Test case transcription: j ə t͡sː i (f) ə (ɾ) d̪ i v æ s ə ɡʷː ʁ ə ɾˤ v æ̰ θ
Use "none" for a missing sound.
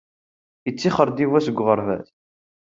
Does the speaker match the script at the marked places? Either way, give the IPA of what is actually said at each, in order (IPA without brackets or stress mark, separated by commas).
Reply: χ, ɾ